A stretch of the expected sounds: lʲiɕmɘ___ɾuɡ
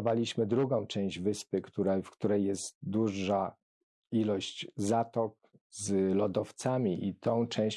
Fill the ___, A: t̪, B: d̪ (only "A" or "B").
B